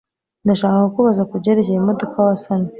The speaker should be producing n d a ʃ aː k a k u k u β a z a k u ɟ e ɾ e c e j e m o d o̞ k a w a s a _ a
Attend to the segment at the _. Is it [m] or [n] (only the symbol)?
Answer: n